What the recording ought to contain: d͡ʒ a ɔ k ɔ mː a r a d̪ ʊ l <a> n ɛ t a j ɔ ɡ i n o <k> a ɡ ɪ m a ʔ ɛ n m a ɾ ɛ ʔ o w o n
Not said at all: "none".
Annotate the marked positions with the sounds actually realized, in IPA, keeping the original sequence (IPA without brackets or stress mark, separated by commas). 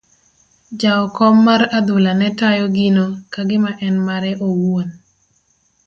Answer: a, k